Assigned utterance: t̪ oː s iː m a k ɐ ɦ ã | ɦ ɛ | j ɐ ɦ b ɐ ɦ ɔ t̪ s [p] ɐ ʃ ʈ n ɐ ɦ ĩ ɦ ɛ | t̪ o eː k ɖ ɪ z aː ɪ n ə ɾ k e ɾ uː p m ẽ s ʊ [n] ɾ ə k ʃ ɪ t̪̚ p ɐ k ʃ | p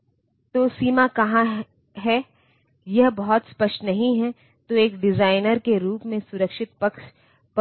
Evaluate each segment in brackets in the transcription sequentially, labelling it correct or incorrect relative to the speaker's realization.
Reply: correct, incorrect: none

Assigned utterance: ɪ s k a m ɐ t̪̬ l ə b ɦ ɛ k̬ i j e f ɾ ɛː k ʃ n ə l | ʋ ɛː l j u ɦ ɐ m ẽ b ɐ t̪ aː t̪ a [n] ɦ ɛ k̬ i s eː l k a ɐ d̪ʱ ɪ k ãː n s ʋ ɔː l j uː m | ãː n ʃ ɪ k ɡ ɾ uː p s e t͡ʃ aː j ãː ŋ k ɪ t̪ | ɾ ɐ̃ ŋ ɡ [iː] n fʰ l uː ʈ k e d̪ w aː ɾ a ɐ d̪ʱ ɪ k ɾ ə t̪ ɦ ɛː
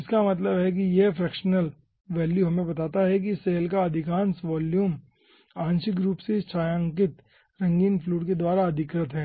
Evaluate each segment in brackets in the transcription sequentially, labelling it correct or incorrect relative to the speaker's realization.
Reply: incorrect: none, correct

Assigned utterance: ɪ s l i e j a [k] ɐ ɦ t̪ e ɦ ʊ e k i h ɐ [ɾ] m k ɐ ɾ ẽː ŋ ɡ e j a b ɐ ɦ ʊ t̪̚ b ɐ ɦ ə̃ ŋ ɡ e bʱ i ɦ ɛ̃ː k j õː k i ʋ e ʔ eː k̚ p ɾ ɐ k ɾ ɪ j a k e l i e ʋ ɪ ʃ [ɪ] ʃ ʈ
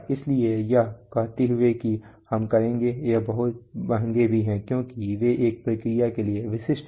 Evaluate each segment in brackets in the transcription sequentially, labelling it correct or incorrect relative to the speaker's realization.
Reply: correct, incorrect: none, correct

